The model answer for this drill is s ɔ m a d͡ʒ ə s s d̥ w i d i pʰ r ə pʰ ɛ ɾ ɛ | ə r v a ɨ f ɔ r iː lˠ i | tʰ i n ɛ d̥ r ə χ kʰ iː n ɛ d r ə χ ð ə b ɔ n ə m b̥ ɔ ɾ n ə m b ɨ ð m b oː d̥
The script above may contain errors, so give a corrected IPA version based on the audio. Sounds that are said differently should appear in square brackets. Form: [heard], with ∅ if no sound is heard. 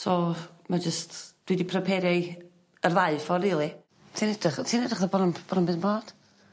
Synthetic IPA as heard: s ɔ m a d͡ʒ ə s [t] d̥ w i d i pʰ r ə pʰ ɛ ɾ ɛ | ə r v a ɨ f ɔ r iː lˠ i | tʰ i n ɛ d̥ r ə χ [tʰ] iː n ɛ d r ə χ ð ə b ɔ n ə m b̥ ɔ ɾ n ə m b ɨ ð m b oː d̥